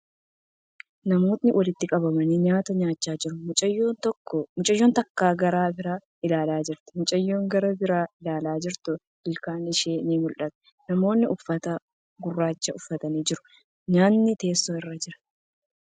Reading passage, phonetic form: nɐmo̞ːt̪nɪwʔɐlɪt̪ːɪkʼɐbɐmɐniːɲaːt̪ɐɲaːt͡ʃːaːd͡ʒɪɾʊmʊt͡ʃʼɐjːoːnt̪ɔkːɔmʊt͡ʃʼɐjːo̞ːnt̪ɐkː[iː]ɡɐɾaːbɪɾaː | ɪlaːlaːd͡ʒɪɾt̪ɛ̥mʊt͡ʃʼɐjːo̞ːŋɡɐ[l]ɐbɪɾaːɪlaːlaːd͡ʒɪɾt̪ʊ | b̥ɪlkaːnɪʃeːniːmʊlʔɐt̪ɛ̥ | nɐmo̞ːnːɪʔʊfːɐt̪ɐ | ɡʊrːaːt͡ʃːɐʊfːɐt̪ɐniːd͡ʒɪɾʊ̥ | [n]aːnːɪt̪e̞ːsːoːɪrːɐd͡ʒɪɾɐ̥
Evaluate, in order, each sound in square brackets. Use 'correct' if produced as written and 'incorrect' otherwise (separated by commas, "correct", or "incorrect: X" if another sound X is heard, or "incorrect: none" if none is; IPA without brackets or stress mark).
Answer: incorrect: aː, incorrect: ɾ, incorrect: ɲ